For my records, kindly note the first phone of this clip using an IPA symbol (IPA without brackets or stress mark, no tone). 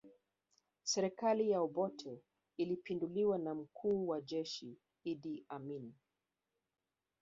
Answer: s